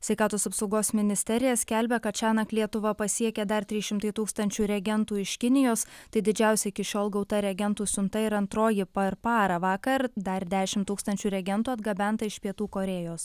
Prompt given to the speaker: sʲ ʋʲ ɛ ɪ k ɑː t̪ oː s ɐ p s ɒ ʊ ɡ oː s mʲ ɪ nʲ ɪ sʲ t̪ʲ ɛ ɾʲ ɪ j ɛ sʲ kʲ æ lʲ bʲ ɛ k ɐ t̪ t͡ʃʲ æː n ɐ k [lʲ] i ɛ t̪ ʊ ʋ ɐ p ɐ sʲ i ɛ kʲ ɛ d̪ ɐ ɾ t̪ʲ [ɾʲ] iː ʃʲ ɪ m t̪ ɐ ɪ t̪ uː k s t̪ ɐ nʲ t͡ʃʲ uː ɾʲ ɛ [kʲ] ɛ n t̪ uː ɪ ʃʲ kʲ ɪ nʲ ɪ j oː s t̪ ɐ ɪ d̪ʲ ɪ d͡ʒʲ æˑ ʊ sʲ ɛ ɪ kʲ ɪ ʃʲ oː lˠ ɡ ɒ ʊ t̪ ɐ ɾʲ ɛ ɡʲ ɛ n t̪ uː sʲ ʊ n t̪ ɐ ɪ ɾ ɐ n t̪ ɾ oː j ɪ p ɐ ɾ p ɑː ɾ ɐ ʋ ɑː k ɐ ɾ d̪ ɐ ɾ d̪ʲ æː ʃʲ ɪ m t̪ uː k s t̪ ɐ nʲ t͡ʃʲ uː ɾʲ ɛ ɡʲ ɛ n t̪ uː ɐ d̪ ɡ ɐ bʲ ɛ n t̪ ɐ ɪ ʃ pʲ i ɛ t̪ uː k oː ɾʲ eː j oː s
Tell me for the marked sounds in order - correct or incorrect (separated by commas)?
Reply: correct, correct, incorrect